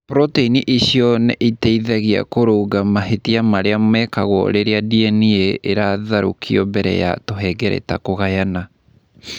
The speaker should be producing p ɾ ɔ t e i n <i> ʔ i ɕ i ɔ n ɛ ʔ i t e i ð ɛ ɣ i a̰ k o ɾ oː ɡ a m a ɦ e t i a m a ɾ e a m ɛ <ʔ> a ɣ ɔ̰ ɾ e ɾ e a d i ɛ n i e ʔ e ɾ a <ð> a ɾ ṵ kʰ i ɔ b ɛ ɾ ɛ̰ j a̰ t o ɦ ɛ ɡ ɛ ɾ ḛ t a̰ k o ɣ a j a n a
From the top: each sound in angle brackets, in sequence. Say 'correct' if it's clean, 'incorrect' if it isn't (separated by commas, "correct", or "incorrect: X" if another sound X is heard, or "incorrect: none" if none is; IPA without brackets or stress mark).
correct, incorrect: k, correct